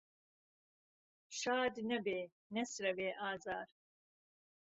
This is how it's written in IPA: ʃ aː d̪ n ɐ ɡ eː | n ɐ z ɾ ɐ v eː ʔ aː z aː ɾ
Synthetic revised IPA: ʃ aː d̪ n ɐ b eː | n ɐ s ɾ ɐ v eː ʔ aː z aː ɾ

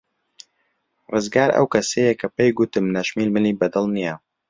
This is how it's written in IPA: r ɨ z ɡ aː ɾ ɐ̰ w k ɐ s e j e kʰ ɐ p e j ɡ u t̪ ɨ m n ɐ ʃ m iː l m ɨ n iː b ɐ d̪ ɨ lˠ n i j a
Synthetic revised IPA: r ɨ z ɡ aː ɾ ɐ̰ w k ɐ s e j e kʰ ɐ p e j ɡ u t̪ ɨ m n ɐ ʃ m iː l m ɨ n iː b ɐ d̪ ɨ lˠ n i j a

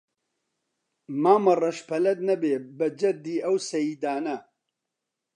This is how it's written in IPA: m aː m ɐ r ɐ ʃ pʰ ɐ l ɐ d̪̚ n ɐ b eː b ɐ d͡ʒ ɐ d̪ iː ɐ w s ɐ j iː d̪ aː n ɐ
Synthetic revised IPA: m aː m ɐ r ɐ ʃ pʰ ɐ l ɐ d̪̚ n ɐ b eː b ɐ d͡ʒ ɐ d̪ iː ɐ w s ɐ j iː d̪ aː n ɐ

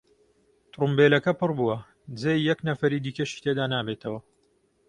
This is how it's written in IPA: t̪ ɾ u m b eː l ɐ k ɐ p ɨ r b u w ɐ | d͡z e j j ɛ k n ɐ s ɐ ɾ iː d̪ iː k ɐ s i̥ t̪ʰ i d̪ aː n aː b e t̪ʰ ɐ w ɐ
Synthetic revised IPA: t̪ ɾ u m b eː l ɐ k ɐ p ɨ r b u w ɐ | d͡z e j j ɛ k n ɐ f ɐ ɾ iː d̪ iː k ɐ ʃ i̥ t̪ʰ e d̪ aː n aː b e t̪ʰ ɐ w ɐ

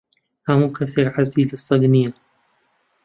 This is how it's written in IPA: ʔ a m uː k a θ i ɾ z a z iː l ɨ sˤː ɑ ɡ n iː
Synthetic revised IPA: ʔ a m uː k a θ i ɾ ʕ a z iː l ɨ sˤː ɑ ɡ n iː

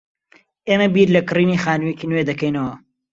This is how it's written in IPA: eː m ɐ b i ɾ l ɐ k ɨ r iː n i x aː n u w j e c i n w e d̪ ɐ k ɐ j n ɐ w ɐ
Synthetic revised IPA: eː m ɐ b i ɾ l ɐ k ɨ r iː n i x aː n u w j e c i n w e d̪ ɐ k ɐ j n ɐ w ɐ

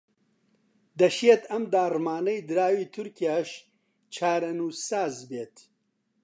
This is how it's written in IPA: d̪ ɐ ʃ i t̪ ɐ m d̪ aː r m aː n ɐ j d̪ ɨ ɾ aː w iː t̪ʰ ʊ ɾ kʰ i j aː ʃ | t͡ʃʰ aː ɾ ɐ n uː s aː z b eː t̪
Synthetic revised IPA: d̪ ɐ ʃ e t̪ ɐ m d̪ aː r m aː n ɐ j d̪ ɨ ɾ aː w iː t̪ʰ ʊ ɾ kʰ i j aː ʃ | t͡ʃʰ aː ɾ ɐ n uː s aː z b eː t̪

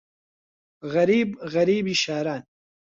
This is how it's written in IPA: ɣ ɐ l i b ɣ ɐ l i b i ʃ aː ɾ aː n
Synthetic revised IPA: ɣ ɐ ɾ i b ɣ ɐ ɾ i b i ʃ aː ɾ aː n

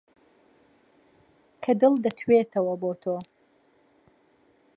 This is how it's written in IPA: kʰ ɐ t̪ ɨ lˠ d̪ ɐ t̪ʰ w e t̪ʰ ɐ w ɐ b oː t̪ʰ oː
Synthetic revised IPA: kʰ ɐ d̪ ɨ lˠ d̪ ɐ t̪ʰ w e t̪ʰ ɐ w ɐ b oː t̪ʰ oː

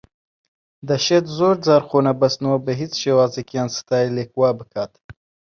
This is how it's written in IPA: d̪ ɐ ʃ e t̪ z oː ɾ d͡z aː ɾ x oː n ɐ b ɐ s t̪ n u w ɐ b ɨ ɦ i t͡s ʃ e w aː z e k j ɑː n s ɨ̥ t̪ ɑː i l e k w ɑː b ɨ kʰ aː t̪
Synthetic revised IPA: d̪ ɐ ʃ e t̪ z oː ɾ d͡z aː ɾ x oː n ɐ b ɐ s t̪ n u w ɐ b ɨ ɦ i t͡s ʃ e w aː z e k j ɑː n s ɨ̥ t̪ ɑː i l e k w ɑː b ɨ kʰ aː t̪

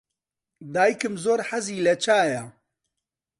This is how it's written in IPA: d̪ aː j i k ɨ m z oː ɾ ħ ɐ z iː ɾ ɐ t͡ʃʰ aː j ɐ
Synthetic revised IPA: d̪ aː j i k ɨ m z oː ɾ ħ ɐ z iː l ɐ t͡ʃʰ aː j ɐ

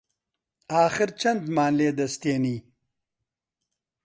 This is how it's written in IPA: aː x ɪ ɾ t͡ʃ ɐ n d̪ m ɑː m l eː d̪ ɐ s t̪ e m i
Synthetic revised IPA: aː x ɪ ɾ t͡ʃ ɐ n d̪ m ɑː n l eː d̪ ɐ s t̪ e n i

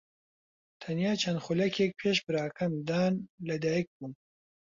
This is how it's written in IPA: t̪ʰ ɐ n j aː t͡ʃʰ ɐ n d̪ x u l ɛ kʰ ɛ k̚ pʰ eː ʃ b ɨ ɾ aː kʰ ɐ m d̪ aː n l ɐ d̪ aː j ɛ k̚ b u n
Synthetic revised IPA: t̪ʰ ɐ n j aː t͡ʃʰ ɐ n d̪ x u l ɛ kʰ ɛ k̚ pʰ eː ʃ b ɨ ɾ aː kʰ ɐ m d̪ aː n l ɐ d̪ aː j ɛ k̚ b u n

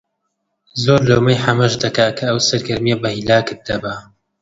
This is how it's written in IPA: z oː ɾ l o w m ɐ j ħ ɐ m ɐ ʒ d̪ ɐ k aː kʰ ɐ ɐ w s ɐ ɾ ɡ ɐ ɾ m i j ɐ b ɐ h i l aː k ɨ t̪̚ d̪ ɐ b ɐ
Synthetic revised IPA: z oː ɾ l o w m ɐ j ħ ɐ m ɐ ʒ d̪ ɐ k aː kʰ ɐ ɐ w s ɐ ɾ ɡ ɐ ɾ m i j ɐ b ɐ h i l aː k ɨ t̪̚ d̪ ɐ b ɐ

